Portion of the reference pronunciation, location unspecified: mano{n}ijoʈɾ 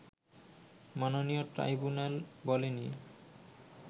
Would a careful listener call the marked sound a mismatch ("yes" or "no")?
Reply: no